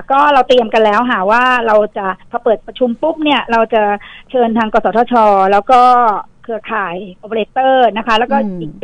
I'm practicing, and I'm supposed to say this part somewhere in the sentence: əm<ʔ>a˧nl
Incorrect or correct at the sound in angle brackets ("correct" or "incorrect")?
incorrect